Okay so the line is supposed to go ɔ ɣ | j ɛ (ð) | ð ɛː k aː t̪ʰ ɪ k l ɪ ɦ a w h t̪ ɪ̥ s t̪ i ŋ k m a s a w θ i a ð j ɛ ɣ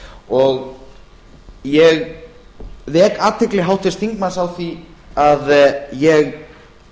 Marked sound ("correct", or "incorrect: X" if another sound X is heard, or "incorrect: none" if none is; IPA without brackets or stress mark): incorrect: ɣ